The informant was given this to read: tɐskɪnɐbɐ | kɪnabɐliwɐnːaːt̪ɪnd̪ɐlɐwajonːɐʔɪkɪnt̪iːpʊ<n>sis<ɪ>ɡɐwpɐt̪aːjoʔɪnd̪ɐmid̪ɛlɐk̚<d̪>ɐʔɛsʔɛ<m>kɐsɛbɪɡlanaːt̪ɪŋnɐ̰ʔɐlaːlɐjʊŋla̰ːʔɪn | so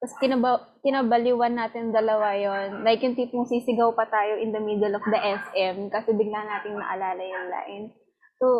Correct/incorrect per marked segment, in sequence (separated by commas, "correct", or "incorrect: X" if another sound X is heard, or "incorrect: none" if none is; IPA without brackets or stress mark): incorrect: ŋ, correct, correct, correct